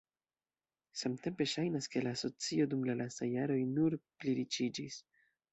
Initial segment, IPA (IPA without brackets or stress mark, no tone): s